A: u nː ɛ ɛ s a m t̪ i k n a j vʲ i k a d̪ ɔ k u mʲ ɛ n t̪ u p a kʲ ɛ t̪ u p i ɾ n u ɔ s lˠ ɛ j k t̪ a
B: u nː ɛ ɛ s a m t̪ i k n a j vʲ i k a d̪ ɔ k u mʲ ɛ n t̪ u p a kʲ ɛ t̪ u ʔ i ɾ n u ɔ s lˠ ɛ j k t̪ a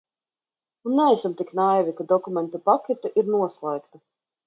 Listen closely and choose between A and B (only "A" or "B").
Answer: B